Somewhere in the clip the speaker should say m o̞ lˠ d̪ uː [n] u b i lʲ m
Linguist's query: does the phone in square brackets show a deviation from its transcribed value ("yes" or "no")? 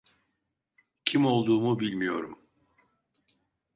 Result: yes